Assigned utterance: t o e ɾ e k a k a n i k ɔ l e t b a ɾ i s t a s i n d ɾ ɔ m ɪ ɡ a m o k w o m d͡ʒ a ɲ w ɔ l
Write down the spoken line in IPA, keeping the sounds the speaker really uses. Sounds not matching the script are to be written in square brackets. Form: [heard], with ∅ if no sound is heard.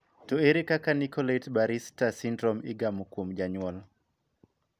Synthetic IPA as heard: t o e ɾ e k a k a n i k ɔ l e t b a ɾ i s t a s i n d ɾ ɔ m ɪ ɡ a m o k w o m d͡ʒ a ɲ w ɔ l